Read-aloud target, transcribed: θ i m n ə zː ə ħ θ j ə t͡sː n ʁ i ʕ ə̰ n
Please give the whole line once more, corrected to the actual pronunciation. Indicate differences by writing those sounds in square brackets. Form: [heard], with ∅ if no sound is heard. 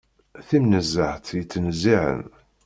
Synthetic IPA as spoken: θ i m n ə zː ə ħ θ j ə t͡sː n [z] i ʕ ə̰ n